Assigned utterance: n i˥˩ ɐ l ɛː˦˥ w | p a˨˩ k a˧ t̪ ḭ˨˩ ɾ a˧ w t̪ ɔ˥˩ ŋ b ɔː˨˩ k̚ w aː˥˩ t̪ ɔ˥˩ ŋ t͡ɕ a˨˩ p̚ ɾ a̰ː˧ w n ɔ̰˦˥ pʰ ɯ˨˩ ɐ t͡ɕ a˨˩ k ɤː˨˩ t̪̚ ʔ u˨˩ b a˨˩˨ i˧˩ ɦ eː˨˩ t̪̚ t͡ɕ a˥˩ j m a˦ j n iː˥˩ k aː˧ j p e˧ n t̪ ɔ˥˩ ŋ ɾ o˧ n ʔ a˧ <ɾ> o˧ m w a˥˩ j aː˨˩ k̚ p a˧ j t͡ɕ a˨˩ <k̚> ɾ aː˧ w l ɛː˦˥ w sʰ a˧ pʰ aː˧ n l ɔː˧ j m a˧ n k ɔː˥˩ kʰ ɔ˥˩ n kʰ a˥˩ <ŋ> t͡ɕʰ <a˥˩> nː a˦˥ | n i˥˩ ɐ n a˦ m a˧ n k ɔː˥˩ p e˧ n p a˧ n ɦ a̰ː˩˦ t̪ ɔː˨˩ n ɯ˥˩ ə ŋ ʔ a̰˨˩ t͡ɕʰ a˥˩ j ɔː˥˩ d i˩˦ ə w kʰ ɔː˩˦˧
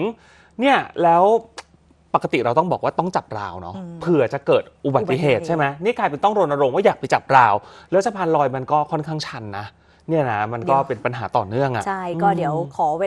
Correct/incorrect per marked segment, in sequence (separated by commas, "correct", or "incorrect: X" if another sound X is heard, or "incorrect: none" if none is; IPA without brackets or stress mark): correct, incorrect: p̚, correct, incorrect: a˧˥